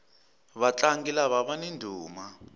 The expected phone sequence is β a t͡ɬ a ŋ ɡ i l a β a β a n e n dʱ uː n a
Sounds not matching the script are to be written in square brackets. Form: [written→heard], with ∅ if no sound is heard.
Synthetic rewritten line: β a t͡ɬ a ŋ ɡ i l a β a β a n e n dʱ uː [n→m] a